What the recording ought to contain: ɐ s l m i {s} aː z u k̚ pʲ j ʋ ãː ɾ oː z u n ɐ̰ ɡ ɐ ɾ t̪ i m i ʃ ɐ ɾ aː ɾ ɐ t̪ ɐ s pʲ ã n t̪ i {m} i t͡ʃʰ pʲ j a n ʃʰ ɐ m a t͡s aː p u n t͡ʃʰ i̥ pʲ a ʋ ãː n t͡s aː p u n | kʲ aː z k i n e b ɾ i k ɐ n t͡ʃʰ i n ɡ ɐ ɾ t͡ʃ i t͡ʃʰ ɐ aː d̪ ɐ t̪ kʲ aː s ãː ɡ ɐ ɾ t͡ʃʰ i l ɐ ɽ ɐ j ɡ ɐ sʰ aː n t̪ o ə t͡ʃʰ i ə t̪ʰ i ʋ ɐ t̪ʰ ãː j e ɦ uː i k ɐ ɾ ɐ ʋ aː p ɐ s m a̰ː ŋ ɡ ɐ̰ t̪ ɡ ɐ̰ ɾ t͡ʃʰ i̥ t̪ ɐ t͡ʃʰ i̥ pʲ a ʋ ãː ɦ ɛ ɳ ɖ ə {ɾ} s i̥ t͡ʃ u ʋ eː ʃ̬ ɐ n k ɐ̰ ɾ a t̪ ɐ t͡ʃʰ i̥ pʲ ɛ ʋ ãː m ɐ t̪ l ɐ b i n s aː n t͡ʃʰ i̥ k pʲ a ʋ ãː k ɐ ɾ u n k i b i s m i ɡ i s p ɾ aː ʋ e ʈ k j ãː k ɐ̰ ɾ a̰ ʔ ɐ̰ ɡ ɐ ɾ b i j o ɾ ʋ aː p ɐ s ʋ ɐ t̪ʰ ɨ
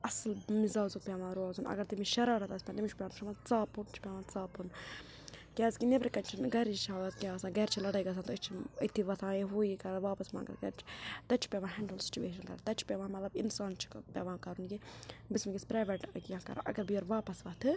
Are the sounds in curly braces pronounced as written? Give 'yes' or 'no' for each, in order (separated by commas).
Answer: no, yes, no